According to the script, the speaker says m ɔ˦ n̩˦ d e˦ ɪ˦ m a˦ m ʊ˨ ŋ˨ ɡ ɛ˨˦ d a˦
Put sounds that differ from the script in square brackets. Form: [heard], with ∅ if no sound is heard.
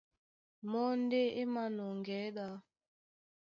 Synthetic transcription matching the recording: m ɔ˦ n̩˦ d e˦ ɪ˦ m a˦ [n] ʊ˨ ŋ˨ ɡ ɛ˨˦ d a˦

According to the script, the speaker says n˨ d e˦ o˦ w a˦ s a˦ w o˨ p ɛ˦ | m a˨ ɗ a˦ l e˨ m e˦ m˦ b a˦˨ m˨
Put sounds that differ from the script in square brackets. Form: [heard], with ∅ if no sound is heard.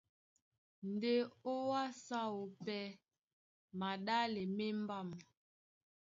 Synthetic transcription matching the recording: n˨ d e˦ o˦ w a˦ s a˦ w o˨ p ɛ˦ | m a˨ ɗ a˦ l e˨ m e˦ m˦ b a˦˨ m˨

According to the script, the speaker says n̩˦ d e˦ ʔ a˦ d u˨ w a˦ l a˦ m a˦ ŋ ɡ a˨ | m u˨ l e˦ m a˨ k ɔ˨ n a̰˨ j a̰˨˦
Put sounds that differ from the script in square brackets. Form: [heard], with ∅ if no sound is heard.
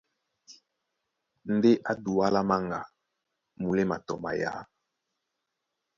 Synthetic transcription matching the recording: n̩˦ d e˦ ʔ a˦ d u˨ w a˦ l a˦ m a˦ ŋ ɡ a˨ | m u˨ l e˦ m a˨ [t] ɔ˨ [m] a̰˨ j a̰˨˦

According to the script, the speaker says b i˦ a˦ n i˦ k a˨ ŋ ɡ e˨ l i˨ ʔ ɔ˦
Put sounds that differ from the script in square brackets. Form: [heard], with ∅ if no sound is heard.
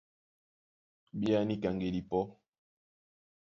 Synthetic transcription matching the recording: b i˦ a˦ n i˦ k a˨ ŋ ɡ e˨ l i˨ [p] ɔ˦

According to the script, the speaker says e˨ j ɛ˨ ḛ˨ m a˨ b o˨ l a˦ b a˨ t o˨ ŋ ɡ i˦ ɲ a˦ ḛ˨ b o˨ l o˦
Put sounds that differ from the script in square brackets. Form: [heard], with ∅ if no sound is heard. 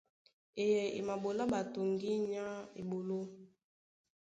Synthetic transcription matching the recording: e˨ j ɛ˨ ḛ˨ m a˨ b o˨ l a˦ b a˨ t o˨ ŋ ɡ i˦ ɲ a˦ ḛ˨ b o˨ l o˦

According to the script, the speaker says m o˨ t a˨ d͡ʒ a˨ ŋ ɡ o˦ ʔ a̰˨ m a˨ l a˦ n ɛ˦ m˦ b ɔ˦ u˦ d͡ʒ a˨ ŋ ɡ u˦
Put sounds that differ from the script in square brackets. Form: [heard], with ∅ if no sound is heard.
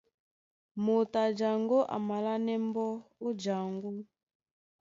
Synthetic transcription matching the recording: m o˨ t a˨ d͡ʒ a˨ ŋ ɡ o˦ ʔ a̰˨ m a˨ l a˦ n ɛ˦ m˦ b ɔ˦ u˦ d͡ʒ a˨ ŋ ɡ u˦

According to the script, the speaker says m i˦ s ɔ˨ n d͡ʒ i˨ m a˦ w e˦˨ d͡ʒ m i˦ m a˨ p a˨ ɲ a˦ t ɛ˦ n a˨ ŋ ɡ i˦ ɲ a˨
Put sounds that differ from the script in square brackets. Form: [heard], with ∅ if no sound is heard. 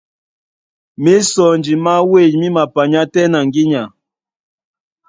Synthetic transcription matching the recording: m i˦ s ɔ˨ n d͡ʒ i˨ m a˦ w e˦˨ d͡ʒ m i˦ m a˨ p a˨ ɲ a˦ t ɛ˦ n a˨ ŋ ɡ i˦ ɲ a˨

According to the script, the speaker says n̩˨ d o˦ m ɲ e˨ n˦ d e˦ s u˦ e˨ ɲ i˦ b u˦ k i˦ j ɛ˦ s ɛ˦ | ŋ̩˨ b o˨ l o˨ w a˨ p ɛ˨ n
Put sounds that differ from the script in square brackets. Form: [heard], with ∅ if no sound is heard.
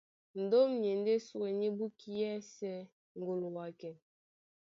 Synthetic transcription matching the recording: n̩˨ d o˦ m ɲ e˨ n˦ d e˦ s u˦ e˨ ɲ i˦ b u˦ k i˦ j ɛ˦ s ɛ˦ | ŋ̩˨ [ɡ] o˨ l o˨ w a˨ [k] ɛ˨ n

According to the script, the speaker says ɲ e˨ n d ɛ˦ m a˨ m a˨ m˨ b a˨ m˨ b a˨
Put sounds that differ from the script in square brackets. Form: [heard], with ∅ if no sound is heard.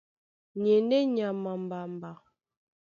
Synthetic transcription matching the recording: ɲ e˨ n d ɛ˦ [ɲ] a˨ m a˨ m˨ b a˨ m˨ b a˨

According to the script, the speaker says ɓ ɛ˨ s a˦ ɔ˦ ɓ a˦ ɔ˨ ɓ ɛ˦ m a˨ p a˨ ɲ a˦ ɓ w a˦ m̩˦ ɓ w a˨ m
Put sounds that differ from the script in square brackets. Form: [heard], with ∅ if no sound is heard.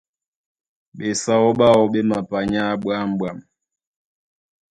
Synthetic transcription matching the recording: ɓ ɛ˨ s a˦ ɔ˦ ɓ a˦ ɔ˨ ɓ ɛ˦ m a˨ p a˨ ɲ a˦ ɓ w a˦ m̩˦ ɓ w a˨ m

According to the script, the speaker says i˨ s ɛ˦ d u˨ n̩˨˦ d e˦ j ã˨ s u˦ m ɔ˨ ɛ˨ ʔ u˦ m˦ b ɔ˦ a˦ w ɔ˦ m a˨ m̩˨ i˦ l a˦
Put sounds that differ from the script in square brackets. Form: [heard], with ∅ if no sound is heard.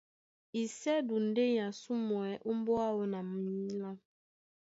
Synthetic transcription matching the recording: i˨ s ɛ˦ d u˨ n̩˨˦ d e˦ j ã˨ s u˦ m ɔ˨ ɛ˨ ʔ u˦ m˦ b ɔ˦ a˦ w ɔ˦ [n] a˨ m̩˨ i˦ l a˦

